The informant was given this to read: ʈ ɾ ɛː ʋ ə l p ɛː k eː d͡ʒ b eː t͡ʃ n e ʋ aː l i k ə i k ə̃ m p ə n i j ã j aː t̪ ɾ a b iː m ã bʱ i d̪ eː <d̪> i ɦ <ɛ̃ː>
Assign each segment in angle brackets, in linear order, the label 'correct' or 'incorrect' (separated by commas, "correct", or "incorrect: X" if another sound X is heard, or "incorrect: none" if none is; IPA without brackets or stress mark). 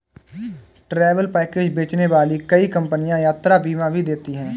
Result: incorrect: t̪, correct